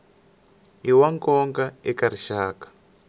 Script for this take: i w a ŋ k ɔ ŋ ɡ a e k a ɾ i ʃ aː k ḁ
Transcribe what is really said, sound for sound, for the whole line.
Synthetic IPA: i w a ŋ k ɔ ŋ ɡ a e k a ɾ i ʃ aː k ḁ